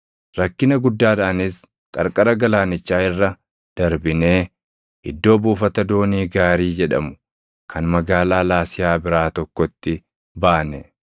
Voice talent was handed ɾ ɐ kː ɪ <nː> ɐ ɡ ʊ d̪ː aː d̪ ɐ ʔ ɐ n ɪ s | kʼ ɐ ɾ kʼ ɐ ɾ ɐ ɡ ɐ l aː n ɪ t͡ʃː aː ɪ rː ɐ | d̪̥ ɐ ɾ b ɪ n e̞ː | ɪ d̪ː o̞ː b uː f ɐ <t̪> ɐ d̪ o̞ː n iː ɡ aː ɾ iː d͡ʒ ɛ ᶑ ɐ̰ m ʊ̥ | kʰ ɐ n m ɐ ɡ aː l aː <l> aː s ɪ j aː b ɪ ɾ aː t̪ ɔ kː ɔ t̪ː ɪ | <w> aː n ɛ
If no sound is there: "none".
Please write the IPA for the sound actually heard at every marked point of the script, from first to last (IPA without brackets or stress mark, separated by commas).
n, t̪, l, b